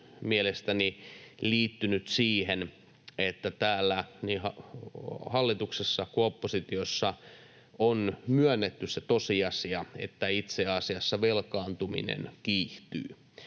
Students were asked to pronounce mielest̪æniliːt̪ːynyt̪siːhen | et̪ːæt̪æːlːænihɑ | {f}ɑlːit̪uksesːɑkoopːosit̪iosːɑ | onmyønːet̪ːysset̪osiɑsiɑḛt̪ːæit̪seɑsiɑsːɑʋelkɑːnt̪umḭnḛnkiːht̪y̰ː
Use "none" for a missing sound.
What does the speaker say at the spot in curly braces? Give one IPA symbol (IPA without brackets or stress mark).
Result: h